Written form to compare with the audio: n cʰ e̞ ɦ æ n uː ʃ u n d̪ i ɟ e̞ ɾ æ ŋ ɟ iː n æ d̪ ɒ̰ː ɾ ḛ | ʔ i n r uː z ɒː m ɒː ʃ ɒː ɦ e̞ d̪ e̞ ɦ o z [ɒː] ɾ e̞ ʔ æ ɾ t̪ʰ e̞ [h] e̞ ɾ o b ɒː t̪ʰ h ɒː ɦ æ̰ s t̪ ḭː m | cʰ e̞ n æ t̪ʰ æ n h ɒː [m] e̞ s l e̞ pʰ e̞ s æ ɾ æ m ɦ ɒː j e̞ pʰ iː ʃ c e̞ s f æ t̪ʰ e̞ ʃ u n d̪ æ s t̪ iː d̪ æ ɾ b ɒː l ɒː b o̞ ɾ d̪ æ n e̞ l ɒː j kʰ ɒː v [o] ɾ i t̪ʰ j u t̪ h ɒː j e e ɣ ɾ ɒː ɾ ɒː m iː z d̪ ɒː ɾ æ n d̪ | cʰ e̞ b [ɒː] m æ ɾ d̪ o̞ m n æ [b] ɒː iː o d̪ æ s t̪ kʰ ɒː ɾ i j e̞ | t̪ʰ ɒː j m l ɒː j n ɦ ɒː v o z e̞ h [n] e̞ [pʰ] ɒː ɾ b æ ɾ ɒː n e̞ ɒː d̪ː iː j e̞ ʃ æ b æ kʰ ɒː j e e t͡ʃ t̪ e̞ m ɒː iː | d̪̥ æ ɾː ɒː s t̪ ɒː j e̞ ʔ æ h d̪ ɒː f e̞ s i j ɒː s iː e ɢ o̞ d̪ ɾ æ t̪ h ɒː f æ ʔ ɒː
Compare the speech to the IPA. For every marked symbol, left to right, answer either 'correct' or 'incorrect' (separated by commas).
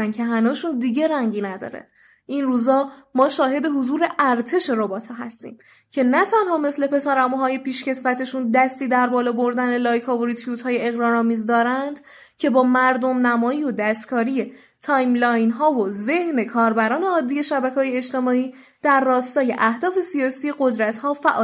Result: incorrect, incorrect, correct, correct, correct, incorrect, correct, incorrect